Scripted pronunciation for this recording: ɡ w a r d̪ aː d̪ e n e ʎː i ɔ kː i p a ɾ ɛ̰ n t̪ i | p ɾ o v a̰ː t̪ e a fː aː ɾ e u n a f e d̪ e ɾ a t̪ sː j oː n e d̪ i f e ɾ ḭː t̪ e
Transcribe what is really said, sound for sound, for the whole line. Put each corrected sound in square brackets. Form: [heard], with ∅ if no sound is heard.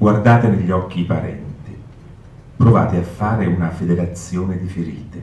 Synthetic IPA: ɡ w a r d̪ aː [t̪] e n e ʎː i ɔ kː i p a ɾ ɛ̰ n t̪ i | p ɾ o v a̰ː t̪ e a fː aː ɾ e u n a f e d̪ e ɾ a t̪ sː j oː n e d̪ i f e ɾ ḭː t̪ e